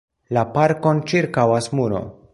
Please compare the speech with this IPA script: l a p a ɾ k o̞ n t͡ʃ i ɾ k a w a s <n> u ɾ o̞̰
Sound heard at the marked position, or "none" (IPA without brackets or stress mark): m